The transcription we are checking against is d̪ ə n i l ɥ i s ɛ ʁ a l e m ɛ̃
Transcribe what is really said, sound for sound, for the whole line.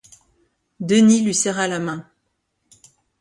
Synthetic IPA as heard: d̪ ə n i l ɥ i s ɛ ʁ a l a m ɛ̃